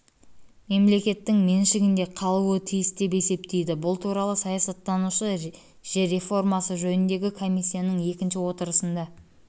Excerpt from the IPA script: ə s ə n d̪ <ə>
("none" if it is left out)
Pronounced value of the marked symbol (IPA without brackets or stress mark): ɑ